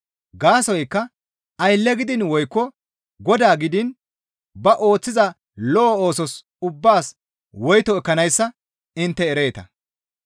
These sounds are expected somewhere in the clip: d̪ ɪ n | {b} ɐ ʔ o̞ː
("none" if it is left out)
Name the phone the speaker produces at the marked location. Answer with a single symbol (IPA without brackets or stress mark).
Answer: b